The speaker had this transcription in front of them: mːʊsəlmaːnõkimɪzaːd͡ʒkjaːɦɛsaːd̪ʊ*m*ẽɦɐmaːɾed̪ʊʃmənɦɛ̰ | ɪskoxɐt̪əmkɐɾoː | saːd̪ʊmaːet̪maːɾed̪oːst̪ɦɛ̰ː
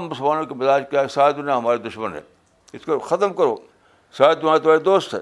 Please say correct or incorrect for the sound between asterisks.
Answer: incorrect